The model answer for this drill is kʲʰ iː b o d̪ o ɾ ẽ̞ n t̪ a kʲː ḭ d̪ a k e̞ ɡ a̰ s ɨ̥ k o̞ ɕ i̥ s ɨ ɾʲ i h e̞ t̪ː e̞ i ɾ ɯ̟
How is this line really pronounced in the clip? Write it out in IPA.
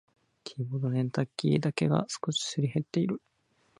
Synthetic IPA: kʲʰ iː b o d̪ o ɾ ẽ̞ n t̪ a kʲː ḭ d̪ a k e̞ ɡ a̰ s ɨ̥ k o̞ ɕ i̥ s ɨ ɾʲ i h e̞ t̪ː e̞ i ɾ ɯ̟

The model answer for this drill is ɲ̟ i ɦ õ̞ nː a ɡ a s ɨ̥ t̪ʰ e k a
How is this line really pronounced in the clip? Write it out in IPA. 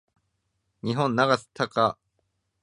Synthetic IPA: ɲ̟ i ɦ õ̞ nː a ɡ a s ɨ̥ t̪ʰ a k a

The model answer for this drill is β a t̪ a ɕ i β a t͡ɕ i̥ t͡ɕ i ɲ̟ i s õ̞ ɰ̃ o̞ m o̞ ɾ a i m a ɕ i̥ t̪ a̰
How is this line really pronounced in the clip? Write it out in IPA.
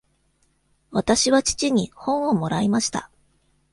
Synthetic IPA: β a t̪ a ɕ i β a t͡ɕ i̥ t͡ɕ i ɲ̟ i h õ̞ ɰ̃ o̞ m o̞ ɾ a i m a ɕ i̥ t̪ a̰

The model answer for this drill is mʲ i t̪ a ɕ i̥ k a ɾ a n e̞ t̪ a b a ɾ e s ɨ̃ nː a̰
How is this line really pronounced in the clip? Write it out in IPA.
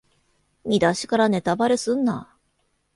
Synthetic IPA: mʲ i d̪ a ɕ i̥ k a ɾ a n e̞ t̪ a b a ɾ e s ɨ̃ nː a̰

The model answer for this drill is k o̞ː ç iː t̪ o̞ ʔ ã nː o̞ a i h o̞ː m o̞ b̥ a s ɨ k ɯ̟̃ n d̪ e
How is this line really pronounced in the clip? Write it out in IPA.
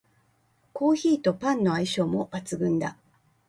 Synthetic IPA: k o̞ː ç iː t̪ o̞ p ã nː o̞ a i ɕ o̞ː m o̞ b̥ a t͡s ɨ ɡ ɯ̟̃ n d̪ a

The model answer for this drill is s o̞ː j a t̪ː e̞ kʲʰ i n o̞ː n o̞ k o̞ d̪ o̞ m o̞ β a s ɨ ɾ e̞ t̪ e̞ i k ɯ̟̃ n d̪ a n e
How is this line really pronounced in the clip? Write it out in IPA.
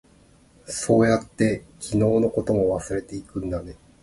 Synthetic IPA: s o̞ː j a t̪ː e̞ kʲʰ i n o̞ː n o̞ k o̞ t̪ o̞ m o̞ β a s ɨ ɾ e̞ t̪ e̞ i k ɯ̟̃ n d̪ a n e

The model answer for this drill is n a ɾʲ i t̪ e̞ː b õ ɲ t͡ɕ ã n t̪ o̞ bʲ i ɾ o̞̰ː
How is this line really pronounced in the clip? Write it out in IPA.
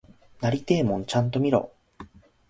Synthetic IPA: n a ɾʲ i t̪ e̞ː m õ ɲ t͡ɕ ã n t̪ o̞ mʲ i ɾ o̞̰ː

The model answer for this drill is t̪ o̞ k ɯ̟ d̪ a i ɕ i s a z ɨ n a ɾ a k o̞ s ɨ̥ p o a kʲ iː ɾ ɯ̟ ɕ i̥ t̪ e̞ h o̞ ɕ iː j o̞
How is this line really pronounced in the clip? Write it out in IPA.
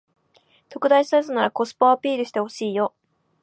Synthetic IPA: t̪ o̞ k ɯ̟ d̪ a i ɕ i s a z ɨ n a ɾ a k o̞ s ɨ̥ p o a pʲ iː ɾ ɯ̟ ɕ i̥ t̪ e̞ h o̞ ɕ iː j o̞

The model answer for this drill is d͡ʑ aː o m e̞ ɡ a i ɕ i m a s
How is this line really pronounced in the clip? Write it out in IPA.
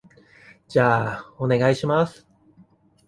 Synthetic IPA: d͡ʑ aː o n e̞ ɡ a i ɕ i m a s

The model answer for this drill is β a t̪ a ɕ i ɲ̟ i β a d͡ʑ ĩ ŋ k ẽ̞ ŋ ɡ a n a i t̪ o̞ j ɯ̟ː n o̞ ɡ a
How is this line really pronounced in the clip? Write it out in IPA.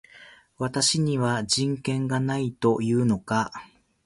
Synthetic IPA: β a t̪ a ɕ i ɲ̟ i β a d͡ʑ ĩ ŋ k ẽ̞ ŋ ɡ a n a i t̪ o̞ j ɯ̟ː n o̞ k a

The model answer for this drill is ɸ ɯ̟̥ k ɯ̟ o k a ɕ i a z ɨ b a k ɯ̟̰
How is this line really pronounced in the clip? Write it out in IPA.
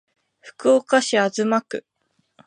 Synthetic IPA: ɸ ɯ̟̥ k ɯ̟ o k a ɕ i a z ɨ m a k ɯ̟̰

